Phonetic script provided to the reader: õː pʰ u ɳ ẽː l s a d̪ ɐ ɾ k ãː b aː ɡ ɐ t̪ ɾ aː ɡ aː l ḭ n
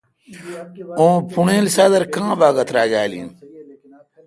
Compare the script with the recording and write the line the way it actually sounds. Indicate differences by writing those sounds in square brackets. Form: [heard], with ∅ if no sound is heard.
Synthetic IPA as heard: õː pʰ u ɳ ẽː l s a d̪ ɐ ɾ k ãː b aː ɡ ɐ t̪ ɾ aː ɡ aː l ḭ n